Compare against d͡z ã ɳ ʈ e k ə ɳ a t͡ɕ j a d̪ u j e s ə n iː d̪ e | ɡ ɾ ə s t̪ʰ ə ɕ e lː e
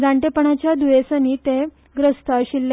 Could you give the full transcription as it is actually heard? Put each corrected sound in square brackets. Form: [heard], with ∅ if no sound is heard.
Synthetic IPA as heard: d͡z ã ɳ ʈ e [p] ə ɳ a t͡ɕ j a d̪ u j e s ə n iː [t̪] e | ɡ ɾ ə s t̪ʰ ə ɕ [i] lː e